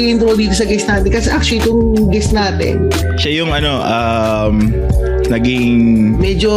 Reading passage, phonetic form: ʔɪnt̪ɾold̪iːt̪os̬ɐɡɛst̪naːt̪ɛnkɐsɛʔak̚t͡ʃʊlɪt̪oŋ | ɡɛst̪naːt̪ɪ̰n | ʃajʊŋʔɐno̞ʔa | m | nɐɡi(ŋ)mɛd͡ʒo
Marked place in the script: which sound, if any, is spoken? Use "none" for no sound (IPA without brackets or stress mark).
ŋ